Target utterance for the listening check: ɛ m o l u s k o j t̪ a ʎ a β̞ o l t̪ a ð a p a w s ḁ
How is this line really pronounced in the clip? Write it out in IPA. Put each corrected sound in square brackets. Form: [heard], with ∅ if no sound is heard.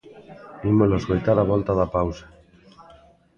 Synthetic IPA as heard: [i] m o l [o] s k o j t̪ a [ɾ] a β̞ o l t̪ a ð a p a w s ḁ